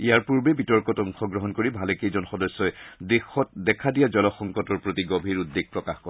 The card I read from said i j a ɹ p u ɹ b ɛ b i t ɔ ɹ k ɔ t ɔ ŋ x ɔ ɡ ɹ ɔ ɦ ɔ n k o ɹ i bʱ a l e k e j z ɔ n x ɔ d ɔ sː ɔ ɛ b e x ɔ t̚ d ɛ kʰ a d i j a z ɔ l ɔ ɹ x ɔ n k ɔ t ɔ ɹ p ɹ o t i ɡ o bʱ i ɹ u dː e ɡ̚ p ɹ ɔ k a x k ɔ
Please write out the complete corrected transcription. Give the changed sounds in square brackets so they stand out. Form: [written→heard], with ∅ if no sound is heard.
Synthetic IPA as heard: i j a ɹ p u ɹ b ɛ b i t ɔ ɹ k ɔ t ɔ ŋ x ɔ ɡ ɹ ɔ ɦ ɔ n k o ɹ i bʱ a l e k e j z ɔ n x ɔ d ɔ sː ɔ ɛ [b→d] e x ɔ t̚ d ɛ kʰ a d i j a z ɔ l ɔ [ɹ→∅] x ɔ [n→ŋ] k ɔ t ɔ ɹ p ɹ o t i ɡ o bʱ i ɹ u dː e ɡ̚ p ɹ ɔ k a x k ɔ